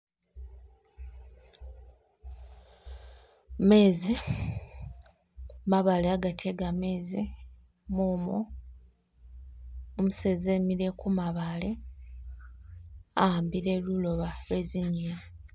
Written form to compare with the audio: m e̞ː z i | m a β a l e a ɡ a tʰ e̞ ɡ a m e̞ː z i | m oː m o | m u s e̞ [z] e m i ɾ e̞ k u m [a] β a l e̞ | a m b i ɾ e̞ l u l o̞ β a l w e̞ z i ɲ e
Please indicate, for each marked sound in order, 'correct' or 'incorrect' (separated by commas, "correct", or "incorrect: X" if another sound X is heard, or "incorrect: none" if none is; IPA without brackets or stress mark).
correct, correct